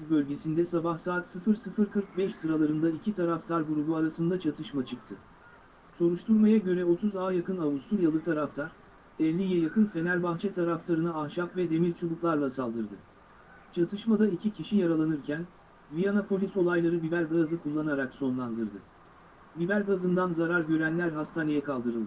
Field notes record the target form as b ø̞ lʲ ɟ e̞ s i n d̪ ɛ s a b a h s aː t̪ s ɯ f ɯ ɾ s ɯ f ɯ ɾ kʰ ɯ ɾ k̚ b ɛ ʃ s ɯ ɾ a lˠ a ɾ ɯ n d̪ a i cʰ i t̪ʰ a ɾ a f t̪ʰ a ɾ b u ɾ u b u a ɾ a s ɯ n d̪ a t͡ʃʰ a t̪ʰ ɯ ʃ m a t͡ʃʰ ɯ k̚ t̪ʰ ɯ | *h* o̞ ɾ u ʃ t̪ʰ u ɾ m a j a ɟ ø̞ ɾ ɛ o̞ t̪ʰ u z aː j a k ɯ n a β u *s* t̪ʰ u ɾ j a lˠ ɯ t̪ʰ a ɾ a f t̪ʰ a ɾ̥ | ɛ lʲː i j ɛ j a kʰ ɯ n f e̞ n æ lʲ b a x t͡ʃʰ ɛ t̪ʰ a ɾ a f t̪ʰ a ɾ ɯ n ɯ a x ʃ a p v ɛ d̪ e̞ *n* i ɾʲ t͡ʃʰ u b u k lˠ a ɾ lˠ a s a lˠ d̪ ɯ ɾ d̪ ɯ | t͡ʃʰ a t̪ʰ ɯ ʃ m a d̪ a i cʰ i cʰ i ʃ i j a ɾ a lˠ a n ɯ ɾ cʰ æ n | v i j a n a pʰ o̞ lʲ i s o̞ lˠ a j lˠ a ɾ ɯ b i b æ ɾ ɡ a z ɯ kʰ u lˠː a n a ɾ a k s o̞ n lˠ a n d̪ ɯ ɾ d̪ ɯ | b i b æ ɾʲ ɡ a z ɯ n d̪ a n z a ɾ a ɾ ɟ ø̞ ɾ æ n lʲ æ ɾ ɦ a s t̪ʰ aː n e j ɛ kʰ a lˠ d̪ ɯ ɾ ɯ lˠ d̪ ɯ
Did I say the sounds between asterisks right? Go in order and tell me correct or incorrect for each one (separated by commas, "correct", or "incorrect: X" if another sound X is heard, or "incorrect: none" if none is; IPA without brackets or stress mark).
incorrect: s, correct, incorrect: m